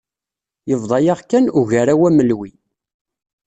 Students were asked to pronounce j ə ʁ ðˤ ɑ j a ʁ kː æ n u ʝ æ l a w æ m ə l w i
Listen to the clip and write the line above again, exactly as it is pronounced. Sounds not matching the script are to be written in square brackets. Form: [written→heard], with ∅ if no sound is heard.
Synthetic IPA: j ə [ʁ→v] ðˤ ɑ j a ʁ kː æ n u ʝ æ [l→ɾ] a w æ m ə l w i